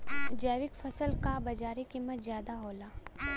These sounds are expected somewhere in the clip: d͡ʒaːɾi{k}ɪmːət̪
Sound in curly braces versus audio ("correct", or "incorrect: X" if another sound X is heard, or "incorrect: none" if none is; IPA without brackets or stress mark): correct